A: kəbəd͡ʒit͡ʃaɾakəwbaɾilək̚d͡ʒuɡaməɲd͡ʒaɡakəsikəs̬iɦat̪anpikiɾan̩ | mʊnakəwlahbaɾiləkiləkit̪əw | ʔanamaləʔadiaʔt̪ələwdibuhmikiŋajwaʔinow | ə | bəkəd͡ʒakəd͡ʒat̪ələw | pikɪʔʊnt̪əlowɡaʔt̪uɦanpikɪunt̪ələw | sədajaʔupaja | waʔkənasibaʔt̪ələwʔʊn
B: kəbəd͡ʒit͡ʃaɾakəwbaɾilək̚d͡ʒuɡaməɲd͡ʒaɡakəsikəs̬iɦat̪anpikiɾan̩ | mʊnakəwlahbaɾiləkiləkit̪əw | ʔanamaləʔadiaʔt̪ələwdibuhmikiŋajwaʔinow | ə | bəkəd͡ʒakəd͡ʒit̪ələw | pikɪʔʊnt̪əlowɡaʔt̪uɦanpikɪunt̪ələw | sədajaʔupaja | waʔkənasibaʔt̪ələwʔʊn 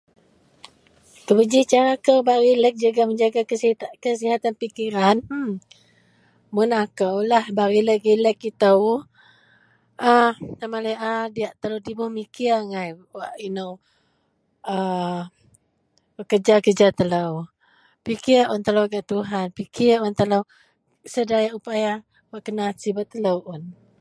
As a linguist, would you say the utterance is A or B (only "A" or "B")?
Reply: A